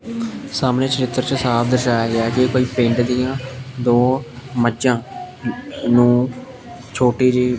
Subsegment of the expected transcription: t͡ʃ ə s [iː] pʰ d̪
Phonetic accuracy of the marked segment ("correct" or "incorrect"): incorrect